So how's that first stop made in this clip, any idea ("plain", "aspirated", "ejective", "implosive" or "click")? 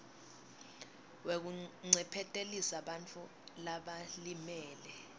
plain